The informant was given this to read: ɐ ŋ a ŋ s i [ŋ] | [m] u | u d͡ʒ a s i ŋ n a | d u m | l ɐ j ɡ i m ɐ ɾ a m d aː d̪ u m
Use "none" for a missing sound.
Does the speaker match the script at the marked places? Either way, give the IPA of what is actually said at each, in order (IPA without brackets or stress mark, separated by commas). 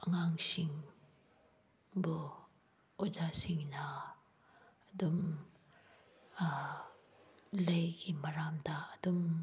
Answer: ŋ, b